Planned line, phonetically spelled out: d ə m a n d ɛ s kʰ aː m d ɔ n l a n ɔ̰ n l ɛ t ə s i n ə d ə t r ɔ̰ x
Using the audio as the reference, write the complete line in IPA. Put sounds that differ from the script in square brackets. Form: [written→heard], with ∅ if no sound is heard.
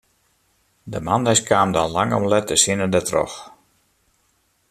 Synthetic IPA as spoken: d ə m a n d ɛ s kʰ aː m d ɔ n l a [n→ŋ] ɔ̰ [n→m] l ɛ t ə s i n ə d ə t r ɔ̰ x